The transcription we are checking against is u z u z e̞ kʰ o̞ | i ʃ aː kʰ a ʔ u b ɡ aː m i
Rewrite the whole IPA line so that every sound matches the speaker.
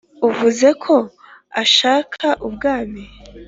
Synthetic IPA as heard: u v u z e̞ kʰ o̞ | a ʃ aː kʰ a ʔ u b ɡ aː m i